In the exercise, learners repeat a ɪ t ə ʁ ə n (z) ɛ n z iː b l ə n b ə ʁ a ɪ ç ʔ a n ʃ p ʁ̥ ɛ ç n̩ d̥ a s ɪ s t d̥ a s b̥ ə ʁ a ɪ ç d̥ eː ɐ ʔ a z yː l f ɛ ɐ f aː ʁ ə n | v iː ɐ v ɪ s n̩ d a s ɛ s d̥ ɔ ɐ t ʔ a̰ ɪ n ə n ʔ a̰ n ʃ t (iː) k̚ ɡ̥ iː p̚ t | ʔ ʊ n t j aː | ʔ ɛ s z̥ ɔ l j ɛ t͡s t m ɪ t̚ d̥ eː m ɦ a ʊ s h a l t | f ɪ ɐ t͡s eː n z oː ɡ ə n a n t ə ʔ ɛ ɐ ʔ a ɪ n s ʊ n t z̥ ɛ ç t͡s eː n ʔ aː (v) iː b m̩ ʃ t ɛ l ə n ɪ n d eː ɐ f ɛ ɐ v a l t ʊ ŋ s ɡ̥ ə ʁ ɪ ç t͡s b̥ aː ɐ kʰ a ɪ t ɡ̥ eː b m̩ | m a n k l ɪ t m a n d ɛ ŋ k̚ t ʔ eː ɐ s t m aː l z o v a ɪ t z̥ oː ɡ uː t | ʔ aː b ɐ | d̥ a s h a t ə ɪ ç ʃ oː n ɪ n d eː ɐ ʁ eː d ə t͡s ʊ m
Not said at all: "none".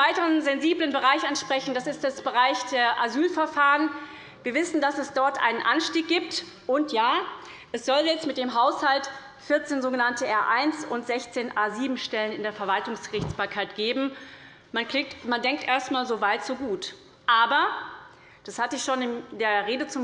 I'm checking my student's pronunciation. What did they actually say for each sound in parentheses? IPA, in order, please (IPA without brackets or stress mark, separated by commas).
z, iː, z